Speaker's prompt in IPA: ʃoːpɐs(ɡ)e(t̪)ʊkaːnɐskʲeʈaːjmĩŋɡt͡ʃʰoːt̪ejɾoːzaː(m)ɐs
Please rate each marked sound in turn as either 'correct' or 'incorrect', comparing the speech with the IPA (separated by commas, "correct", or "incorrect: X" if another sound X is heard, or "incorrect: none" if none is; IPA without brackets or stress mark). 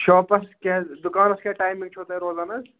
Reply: incorrect: k, incorrect: d̪, incorrect: n